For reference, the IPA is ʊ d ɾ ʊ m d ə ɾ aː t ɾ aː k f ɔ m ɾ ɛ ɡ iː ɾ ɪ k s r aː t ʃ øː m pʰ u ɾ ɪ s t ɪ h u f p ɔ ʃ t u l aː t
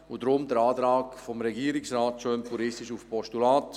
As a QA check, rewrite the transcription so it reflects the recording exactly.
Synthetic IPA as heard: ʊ d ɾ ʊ m d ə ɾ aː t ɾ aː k f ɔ m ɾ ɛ ɡ iː ɾ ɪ k s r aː t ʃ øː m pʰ u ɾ ɪ s t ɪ ʃ u f p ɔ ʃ t u l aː t